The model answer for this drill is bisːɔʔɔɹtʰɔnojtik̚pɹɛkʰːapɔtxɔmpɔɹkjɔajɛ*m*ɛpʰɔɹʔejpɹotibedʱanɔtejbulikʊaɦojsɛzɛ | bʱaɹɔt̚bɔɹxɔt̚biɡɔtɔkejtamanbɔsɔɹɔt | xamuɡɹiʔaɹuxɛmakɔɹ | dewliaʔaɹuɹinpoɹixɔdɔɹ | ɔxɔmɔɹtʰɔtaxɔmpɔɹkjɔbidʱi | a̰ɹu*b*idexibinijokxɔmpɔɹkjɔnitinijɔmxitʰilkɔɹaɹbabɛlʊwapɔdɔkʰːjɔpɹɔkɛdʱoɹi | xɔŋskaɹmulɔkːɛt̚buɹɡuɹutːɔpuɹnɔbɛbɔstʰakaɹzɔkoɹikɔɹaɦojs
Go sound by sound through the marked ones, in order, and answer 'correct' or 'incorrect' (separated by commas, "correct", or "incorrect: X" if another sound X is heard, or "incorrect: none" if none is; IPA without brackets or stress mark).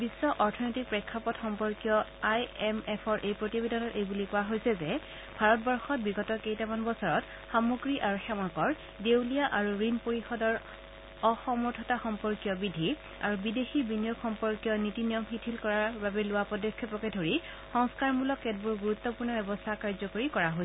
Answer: correct, correct